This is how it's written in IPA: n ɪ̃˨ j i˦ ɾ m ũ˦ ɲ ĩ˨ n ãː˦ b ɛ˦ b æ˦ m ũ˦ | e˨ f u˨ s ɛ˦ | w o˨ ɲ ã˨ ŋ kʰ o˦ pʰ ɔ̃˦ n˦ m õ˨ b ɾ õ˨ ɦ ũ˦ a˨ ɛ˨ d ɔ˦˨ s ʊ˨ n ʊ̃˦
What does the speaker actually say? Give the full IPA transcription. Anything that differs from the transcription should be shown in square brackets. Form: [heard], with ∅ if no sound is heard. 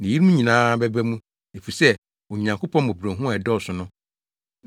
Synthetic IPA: n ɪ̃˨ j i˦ ɾ m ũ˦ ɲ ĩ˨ n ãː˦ b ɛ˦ b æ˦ m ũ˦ | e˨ f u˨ s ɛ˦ | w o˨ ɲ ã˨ ŋ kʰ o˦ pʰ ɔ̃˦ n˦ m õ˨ b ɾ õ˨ ɦ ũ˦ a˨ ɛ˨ d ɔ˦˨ s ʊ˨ n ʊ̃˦